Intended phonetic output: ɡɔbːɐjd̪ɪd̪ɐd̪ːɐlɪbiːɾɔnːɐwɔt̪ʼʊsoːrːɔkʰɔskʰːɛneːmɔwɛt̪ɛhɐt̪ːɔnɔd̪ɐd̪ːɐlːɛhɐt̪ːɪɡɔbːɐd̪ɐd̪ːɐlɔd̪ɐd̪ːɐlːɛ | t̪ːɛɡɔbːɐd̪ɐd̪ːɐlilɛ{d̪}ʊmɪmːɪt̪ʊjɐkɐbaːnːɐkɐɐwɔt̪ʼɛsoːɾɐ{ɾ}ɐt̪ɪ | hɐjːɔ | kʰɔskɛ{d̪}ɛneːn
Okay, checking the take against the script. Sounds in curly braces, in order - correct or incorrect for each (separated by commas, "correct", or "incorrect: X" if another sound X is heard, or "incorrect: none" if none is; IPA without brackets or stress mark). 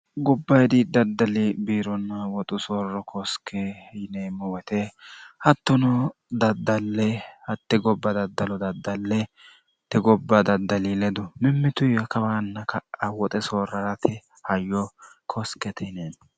correct, correct, incorrect: t̪